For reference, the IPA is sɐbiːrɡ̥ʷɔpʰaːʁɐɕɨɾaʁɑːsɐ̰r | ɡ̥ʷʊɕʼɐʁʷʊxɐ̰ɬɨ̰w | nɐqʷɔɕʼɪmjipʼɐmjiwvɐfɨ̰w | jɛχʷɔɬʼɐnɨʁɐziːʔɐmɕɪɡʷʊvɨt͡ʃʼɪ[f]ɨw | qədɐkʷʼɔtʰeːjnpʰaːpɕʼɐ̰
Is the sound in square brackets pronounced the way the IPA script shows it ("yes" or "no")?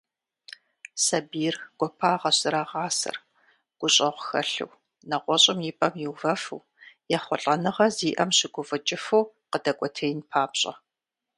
yes